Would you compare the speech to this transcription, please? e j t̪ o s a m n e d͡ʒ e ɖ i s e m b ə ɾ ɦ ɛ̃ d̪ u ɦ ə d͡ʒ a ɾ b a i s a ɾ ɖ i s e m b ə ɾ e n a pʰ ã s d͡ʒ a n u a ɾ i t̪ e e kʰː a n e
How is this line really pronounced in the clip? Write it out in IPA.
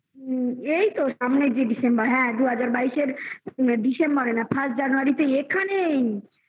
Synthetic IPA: e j t̪ o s a m n e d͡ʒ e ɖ i s e m b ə ɾ ɦ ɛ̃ d̪ u ɦ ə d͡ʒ a ɾ b a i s e ɾ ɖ i s e m b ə ɾ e n a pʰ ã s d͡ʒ a n u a ɾ i t̪ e e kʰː a n e